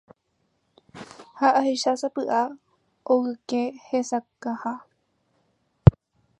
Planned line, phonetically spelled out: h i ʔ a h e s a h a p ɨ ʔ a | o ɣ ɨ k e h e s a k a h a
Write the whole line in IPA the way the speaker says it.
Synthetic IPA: h a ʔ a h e ʃ a s a p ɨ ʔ a | o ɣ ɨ k e h e s a k a h a